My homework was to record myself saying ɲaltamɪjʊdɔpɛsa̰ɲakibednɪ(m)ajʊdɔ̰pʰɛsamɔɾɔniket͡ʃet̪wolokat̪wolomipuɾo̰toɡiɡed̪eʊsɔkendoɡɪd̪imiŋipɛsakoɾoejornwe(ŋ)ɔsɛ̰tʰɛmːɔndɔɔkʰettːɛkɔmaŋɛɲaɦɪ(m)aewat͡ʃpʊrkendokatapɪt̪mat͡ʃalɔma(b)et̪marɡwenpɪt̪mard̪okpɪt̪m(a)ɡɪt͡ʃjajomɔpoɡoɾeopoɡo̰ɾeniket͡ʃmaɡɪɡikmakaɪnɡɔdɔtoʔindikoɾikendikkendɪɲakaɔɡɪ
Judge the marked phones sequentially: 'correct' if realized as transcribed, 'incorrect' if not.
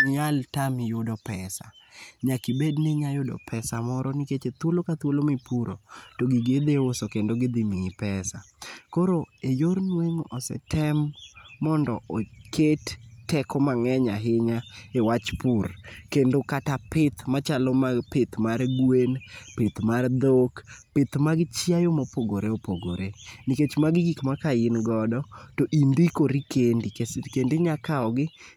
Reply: incorrect, correct, incorrect, incorrect, correct

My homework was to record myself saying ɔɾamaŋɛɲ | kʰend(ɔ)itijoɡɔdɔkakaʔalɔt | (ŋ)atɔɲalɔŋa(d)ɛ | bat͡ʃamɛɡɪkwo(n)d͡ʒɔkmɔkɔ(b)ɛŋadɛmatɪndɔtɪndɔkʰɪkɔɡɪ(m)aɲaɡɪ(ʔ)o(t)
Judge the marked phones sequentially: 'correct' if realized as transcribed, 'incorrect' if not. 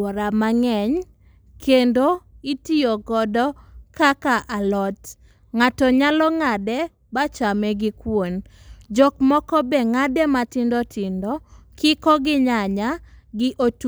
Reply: incorrect, correct, correct, correct, correct, incorrect, correct, correct

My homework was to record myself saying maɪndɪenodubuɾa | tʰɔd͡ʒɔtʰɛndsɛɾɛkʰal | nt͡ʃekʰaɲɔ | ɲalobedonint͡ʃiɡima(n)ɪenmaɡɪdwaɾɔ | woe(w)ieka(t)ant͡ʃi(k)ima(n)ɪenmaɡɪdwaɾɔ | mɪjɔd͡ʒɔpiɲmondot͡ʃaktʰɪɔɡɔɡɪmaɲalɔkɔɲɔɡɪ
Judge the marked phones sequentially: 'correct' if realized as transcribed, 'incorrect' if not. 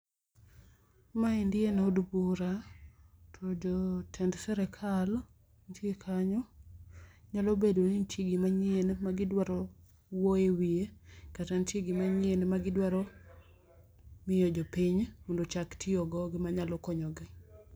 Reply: incorrect, correct, correct, incorrect, incorrect

